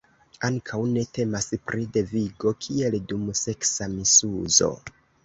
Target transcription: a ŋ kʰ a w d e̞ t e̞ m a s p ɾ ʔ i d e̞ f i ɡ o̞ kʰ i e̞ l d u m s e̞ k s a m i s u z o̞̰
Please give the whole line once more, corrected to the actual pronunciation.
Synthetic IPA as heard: a ŋ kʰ a w n e̞ t e̞ m a s p ɾ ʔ i d e̞ v i ɡ o̞ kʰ i e̞ l d u m s e̞ k s a m i s u z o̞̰